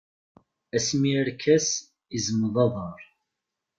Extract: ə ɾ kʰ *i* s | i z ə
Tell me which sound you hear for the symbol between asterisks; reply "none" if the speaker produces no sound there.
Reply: æ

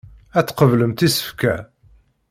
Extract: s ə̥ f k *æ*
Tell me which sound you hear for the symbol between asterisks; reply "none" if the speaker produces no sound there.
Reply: æ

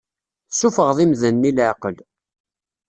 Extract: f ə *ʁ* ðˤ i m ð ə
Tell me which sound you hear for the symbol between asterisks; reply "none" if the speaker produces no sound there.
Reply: ʁ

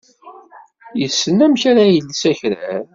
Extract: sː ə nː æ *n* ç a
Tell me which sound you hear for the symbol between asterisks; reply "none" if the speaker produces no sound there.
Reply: m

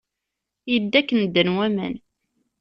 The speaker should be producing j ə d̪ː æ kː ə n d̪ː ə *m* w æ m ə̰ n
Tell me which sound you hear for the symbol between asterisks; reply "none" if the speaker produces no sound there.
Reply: n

